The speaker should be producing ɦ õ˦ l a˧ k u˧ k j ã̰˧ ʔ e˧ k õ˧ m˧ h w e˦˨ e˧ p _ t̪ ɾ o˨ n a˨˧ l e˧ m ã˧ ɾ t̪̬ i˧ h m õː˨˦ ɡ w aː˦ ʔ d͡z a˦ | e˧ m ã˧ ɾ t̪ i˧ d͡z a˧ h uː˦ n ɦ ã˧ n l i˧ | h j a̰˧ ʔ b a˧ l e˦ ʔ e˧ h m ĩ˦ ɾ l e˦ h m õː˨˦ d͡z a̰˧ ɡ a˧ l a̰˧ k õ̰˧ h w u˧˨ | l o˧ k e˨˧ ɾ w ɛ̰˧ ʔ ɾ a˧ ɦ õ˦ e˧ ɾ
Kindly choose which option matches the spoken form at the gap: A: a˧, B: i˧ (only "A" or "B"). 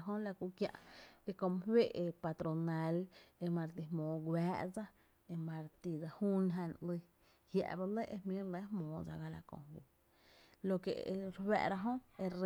A